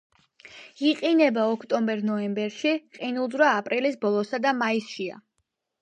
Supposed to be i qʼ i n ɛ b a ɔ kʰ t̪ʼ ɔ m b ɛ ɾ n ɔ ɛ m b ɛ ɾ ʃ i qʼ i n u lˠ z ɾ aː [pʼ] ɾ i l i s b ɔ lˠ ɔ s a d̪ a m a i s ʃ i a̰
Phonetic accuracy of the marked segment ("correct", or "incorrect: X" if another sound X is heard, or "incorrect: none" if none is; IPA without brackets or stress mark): correct